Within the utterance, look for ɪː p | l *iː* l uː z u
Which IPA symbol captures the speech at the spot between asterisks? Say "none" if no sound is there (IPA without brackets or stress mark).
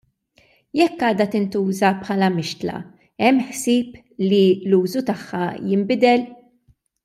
i